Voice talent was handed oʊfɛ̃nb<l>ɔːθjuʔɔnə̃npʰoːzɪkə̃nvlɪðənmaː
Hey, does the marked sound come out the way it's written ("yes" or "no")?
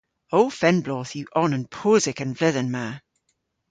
yes